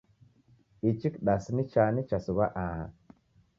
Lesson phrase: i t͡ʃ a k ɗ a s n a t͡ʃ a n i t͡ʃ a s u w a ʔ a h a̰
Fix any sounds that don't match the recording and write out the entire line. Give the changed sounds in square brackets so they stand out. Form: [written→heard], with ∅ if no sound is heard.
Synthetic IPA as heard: i t͡ʃ [a→i] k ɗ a s n [a→i] t͡ʃ a n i t͡ʃ a s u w a ʔ a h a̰